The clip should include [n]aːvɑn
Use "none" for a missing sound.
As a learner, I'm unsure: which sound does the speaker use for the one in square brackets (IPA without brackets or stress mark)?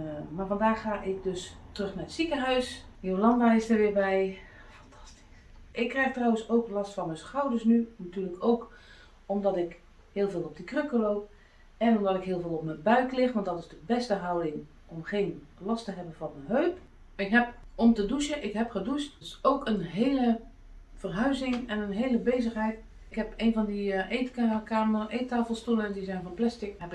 m